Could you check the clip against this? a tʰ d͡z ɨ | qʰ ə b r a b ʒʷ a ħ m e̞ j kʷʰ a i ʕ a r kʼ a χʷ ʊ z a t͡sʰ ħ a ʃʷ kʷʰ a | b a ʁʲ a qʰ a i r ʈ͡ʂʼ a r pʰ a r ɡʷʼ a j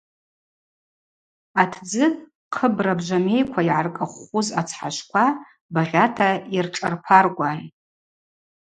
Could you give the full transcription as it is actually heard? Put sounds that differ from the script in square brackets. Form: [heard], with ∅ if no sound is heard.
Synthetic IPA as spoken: a tʰ d͡z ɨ | qʰ ə b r a b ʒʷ a [∅] m e̞ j kʷʰ a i ʕ a r kʼ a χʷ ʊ z a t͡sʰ ħ a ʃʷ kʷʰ a | b a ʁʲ a [tʰ] a i r ʈ͡ʂʼ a r pʰ a r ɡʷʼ a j